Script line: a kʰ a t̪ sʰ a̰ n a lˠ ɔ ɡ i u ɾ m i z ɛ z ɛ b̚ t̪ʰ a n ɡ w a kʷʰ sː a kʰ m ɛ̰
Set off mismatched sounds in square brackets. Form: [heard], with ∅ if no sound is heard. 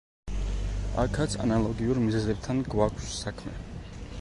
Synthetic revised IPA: a kʰ a t̪ sʰ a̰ n a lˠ ɔ ɡ i u ɾ m i z ɛ z ɛ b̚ t̪ʰ a n ɡ w a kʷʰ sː a kʰ m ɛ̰